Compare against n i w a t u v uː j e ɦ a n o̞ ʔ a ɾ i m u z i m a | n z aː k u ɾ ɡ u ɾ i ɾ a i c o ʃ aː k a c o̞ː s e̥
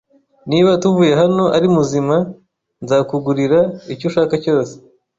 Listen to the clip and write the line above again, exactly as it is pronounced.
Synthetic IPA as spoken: n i β a t u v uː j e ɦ a n o̞ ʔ a ɾ i m u z i m a | n z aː k u ɡ u ɾ i ɾ a i c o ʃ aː k a c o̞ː s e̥